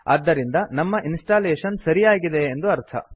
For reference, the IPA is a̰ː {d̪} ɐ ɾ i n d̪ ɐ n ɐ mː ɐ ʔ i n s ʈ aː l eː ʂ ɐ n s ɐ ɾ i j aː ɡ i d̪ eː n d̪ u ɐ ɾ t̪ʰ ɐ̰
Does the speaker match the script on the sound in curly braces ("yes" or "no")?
no